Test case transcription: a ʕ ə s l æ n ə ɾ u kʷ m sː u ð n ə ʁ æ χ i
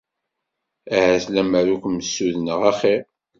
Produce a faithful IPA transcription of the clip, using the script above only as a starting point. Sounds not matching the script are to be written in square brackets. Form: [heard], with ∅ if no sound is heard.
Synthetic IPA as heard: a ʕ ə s l æ [m] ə ɾ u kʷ m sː u ð n ə ʁ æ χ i